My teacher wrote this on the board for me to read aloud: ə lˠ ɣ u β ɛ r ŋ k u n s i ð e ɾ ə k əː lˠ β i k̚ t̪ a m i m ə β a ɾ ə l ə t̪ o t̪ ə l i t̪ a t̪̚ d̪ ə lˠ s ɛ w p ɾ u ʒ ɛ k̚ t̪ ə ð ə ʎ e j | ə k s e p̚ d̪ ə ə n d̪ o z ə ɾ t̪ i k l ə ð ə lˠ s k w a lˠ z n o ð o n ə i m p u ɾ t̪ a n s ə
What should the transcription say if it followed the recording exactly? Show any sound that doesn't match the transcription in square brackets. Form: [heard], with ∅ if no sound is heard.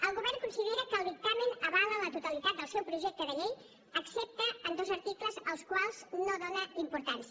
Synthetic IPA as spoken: ə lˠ ɣ u β ɛ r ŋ k u n s i ð e ɾ ə k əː lˠ β i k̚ t̪ a m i [n] ə β a [l] ə l ə t̪ [u] t̪ ə l i t̪ a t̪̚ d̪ ə lˠ s ɛ w p ɾ u ʒ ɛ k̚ t̪ ə ð ə ʎ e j | ə k s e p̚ [t̪] ə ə n d̪ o z ə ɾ t̪ i k l ə [z] ə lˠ s k w a lˠ z n o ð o n ə i m p u ɾ t̪ a n s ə